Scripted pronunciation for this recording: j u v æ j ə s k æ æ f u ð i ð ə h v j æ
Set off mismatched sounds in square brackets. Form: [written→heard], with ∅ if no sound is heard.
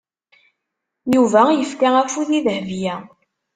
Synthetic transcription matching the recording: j u v æ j ə [s→f] k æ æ f u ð i ð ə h v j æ